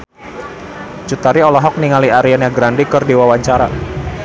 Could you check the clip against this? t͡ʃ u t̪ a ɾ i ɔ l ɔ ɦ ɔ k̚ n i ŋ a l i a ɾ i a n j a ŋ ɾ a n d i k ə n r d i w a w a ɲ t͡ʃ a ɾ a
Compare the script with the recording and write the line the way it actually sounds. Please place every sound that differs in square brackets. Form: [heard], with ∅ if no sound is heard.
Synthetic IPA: t͡ʃ u t̪ a ɾ i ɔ l ɔ ɦ ɔ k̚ n i ŋ a l i a ɾ i a n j a [ɡ] ɾ a n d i k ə [∅] r d i w a w a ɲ t͡ʃ a ɾ a